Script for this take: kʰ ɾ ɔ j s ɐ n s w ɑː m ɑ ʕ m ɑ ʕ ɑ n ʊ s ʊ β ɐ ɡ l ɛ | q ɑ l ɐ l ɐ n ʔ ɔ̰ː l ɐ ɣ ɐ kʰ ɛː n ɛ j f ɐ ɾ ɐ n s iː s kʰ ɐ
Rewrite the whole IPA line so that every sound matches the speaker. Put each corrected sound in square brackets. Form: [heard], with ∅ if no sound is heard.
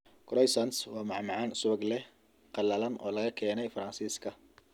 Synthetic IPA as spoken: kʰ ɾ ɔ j s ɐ n s w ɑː m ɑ ʕ m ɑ ʕ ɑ n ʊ s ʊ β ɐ ɡ l ɛ | q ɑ l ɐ l ɐ n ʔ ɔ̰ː l ɐ ɣ ɐ kʰ ɛː n ɛ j f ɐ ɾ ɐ n s iː s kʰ ɐ

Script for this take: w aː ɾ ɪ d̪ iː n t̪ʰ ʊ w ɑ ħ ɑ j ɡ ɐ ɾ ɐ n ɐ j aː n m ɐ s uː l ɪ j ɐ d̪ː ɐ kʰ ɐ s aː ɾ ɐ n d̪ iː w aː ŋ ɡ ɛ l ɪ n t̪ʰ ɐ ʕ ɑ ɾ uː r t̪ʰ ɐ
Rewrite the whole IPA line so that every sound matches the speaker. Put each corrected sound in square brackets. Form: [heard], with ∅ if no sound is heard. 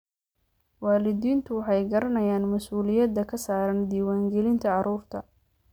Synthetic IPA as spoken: w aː [l] ɪ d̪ iː n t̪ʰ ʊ w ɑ ħ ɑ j ɡ ɐ ɾ ɐ n ɐ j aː n m ɐ s uː l ɪ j ɐ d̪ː ɐ kʰ ɐ s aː ɾ ɐ n d̪ iː w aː ŋ ɡ ɛ l ɪ n t̪ʰ ɐ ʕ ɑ ɾ uː r t̪ʰ ɐ

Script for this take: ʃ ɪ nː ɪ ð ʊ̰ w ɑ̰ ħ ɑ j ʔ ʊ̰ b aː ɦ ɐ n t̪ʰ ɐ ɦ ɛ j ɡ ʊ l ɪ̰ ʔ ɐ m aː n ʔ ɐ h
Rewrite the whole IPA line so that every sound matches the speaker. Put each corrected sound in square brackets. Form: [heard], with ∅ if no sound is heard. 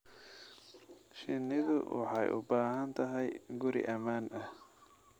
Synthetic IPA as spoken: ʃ ɪ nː ɪ ð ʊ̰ w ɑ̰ ħ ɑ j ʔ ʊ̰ b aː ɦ ɐ n t̪ʰ ɐ ɦ ɛ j ɡ ʊ [ɾ] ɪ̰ ʔ ɐ m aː n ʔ ɐ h

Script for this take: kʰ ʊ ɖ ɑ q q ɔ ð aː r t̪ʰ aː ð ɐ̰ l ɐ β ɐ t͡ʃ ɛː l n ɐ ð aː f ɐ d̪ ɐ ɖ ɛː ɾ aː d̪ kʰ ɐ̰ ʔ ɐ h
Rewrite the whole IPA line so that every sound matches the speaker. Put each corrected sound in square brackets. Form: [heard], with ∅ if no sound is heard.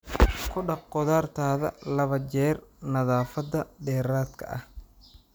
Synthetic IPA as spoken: kʰ ʊ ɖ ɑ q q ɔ ð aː r t̪ʰ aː ð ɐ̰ l ɐ β ɐ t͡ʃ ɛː [r] n ɐ ð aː f ɐ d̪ ɐ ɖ ɛː ɾ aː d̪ kʰ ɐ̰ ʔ ɐ h

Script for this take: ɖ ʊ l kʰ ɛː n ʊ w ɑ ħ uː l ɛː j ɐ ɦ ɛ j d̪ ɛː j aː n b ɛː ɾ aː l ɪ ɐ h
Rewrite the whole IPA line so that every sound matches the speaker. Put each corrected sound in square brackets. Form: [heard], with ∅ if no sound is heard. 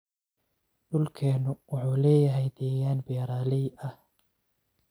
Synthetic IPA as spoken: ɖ ʊ l kʰ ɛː n ʊ w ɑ ħ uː l ɛː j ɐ ɦ ɛ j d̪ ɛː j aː n b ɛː ɾ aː l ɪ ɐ h

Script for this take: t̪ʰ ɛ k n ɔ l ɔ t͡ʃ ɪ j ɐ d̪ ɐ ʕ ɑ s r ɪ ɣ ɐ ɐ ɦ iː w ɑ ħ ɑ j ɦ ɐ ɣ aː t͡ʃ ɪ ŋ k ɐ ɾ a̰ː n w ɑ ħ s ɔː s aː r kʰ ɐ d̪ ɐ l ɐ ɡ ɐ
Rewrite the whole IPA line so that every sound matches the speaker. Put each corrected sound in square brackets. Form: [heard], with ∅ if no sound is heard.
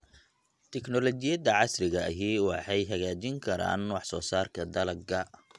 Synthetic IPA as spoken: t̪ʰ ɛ k n ɔ l ɔ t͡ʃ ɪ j ɐ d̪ ɐ ʕ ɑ s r ɪ ɣ ɐ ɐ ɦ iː w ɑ ħ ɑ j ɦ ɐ ɣ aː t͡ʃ ɪ ŋ [kʰ] ɐ ɾ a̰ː n w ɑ ħ s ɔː s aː r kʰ ɐ d̪ ɐ l ɐ ɡ ɐ

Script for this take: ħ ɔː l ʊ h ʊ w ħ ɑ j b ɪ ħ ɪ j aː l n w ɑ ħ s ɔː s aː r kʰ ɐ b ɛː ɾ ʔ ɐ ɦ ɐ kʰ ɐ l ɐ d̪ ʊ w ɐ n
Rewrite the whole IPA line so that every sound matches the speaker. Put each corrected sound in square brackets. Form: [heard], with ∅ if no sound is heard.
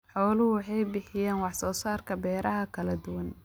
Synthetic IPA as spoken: ħ ɔː l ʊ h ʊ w ħ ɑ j b ɪ ħ ɪ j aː [∅] n w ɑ ħ s ɔː s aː r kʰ ɐ b ɛː ɾ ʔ ɐ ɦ ɐ kʰ ɐ l ɐ d̪ ʊ w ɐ n

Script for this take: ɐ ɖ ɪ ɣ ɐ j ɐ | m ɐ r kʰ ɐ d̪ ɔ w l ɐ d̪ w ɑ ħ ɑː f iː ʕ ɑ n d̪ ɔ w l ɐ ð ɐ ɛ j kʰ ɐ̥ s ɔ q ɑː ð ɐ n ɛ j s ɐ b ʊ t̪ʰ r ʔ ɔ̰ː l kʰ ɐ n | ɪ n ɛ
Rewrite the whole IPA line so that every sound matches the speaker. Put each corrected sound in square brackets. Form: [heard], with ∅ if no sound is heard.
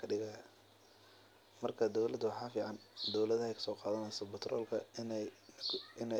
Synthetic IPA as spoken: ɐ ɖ ɪ ɣ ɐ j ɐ | m ɐ r kʰ ɐ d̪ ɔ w l ɐ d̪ w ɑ ħ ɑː f iː ʕ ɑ n d̪ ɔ w l ɐ ð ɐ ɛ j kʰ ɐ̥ s [ɔː] q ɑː ð ɐ n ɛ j s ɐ b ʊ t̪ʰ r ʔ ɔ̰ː l kʰ ɐ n | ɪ n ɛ

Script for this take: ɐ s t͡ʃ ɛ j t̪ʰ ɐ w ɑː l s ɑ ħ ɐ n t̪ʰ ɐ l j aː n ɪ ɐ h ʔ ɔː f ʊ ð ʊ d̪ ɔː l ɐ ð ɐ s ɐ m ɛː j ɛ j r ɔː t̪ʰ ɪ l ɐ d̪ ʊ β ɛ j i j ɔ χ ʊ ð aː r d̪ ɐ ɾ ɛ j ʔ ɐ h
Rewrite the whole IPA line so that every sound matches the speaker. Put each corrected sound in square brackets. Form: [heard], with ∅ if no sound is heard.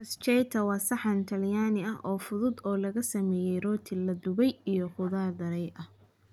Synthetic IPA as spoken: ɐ s t͡ʃ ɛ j t̪ʰ ɐ w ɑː [∅] s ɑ ħ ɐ n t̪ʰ ɐ l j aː n ɪ ɐ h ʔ ɔː f ʊ ð ʊ d̪ ɔː l ɐ [ɣ] ɐ s ɐ m ɛː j ɛ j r ɔː t̪ʰ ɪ l ɐ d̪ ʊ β ɛ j i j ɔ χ ʊ ð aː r d̪ ɐ ɾ ɛ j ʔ ɐ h

